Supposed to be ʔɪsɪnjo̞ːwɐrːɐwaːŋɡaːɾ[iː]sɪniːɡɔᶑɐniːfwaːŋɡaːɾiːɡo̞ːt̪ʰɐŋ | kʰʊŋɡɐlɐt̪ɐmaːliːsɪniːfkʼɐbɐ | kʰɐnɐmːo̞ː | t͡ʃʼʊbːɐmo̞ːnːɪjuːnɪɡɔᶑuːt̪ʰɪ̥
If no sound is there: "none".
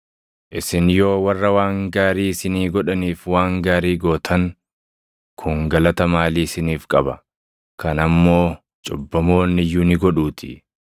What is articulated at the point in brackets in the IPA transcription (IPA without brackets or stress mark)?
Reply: iː